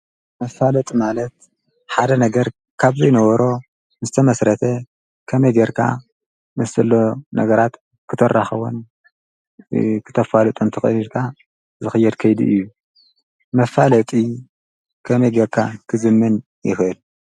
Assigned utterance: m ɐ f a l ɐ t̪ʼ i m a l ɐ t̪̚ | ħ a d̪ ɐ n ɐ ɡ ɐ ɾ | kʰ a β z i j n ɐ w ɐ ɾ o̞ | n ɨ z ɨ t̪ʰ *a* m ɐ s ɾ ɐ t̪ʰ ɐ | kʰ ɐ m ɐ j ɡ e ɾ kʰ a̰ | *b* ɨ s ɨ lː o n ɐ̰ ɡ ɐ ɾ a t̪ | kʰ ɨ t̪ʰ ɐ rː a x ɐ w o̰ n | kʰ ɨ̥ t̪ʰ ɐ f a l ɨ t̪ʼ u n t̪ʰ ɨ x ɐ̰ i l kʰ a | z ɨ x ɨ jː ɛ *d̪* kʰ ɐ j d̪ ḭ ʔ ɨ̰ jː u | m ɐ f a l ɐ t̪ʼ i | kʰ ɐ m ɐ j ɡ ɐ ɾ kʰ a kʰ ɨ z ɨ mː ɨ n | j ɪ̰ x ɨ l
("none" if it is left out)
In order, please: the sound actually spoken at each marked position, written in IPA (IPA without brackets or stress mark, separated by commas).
ɐ, m, d̪